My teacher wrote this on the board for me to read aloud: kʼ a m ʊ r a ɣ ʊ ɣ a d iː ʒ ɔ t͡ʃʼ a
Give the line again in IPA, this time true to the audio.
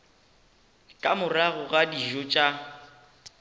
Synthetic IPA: kʼ a m ʊ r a ɣ ʊ ɣ a d i ʒ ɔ t͡ʃʼ a